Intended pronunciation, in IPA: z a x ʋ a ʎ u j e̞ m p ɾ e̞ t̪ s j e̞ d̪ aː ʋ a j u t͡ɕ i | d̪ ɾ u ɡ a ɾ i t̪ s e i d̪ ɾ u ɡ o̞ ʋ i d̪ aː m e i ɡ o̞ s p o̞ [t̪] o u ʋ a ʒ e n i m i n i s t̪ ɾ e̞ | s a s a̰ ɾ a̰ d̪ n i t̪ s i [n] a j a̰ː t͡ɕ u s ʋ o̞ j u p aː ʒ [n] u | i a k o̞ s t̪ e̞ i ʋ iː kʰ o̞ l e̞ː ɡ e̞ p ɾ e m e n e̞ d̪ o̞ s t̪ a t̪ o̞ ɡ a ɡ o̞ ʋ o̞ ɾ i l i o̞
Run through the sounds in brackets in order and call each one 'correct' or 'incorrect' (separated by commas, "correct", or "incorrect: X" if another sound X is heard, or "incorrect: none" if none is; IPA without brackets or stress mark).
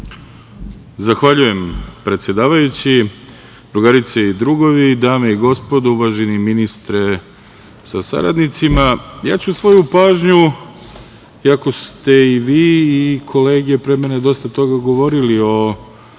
incorrect: d̪, incorrect: m, incorrect: ɲ